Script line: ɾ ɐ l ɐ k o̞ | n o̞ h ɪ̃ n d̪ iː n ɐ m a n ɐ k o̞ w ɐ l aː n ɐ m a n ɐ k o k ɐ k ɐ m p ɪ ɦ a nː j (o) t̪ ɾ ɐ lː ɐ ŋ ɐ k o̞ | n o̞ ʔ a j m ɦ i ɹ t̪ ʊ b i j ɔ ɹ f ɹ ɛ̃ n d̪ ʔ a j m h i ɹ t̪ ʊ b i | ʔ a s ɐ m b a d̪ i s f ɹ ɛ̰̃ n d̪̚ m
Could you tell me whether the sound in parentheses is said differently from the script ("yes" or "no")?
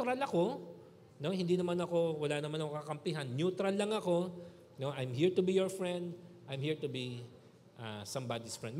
yes